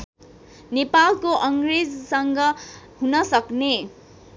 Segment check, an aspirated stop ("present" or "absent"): absent